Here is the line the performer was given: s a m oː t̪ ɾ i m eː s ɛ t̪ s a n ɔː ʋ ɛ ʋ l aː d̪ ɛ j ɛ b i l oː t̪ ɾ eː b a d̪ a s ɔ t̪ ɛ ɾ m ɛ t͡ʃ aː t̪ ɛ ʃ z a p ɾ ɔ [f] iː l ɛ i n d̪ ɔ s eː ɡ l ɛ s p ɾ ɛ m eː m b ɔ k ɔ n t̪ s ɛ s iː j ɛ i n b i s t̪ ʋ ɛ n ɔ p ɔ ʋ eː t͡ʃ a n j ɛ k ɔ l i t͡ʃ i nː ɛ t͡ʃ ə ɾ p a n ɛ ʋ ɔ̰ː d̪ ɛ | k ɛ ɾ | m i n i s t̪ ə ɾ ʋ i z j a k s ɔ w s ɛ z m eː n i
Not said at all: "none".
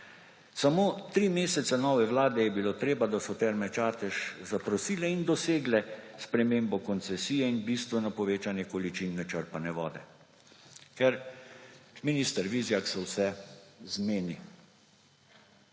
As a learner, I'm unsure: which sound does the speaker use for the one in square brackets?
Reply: s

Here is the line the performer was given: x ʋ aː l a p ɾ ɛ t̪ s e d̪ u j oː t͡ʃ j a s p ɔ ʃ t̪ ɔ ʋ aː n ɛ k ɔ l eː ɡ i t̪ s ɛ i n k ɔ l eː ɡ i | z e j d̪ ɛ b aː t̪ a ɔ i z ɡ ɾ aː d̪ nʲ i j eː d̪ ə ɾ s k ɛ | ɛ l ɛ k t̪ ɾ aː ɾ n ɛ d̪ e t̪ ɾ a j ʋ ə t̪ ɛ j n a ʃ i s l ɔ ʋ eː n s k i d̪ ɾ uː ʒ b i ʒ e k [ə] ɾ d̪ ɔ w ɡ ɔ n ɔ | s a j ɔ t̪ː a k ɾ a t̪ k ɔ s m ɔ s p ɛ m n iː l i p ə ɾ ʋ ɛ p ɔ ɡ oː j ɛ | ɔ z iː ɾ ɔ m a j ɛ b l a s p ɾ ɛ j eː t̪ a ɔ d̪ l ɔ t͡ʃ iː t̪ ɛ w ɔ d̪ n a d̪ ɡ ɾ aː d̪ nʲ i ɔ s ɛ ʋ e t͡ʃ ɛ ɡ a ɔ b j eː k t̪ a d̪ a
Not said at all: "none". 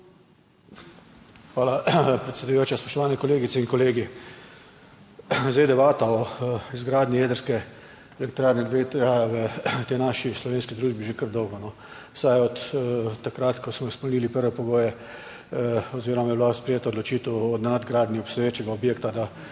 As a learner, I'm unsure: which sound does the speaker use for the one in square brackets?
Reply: ə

